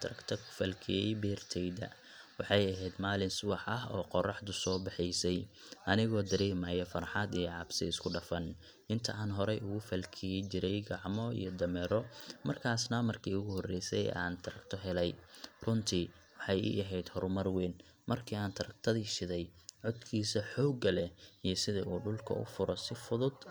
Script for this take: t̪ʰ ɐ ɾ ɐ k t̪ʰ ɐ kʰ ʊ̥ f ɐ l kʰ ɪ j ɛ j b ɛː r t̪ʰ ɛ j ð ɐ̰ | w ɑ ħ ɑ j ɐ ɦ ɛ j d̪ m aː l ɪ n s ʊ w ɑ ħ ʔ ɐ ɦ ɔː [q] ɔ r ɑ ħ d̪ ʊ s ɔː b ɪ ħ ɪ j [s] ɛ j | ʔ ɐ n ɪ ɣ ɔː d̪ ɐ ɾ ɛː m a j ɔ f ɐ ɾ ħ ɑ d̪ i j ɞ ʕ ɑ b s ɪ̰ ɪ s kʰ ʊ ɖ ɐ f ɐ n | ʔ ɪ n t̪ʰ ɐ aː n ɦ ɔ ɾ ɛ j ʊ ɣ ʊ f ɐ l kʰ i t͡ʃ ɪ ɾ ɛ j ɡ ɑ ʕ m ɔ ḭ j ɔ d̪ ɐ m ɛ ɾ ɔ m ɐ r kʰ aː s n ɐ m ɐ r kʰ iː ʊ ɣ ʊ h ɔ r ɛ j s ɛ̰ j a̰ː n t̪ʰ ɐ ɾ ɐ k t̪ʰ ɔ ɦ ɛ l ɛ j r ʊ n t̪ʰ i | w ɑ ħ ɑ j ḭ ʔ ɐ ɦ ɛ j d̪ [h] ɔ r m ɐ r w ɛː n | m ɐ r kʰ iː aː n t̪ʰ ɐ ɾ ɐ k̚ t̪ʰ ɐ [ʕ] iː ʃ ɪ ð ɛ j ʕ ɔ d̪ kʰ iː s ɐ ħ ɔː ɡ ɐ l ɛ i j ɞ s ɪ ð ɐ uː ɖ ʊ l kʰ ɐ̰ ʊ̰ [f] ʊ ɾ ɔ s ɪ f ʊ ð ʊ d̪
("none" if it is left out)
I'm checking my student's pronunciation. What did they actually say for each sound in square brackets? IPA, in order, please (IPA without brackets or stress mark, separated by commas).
q, s, h, ð, f